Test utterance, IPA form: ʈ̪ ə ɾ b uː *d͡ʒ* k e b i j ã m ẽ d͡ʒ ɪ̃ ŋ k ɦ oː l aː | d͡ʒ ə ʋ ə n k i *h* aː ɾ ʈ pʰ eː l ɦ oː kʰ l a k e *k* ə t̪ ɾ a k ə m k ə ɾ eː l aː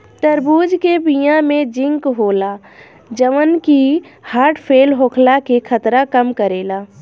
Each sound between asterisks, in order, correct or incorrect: correct, correct, incorrect: kʰ

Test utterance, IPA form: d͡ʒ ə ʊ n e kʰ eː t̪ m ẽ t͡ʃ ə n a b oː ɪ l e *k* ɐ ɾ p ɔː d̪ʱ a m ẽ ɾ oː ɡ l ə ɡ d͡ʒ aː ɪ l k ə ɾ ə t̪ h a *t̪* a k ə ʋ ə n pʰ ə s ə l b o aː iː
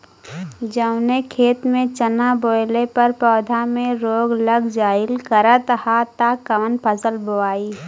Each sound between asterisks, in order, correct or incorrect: incorrect: p, correct

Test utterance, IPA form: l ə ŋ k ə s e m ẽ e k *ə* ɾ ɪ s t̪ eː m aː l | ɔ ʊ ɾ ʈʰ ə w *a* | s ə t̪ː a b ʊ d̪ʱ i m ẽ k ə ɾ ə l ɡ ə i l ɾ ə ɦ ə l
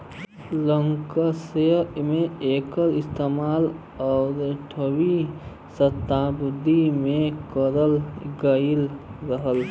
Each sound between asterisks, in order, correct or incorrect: correct, incorrect: i

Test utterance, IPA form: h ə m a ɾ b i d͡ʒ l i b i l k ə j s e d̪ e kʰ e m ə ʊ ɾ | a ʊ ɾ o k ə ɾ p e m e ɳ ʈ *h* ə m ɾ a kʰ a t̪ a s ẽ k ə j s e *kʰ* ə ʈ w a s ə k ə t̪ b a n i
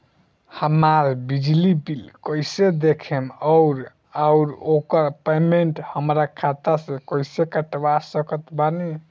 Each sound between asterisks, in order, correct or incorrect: correct, incorrect: k

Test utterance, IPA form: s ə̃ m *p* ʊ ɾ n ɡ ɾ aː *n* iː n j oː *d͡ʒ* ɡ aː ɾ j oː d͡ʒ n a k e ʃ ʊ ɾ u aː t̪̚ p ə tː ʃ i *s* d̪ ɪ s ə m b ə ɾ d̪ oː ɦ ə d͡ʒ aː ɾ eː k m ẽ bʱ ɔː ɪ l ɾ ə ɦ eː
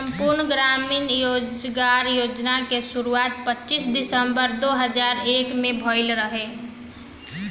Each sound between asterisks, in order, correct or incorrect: correct, incorrect: m, correct, correct

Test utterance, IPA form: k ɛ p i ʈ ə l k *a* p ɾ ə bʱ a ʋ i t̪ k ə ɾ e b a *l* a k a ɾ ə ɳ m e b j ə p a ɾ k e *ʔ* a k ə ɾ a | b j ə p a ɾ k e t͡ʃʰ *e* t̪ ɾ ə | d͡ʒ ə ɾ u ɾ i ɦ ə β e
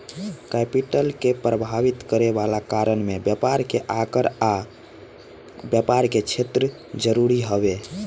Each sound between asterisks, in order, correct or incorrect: incorrect: e, correct, correct, correct

